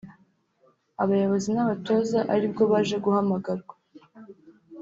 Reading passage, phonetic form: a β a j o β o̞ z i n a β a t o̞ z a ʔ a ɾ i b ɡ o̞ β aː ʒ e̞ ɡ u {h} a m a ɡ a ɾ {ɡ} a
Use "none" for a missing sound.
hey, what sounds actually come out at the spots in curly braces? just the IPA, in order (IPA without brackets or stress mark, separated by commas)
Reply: h, ɡ